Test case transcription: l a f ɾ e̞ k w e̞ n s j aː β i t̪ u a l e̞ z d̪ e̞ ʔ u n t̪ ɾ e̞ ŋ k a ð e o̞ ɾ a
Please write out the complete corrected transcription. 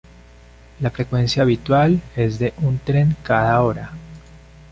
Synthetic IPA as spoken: l a f ɾ e̞ k w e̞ n s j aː β i t̪ w a l e̞ z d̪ e̞ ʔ u n t̪ ɾ e̞ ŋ k a ð a o̞ ɾ a